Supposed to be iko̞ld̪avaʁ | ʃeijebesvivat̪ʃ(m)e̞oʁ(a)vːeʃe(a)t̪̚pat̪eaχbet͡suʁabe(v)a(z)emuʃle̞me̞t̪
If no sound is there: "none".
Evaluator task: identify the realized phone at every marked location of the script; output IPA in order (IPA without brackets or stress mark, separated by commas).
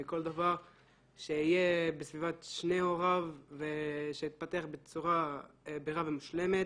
n, a, i, ʁ, v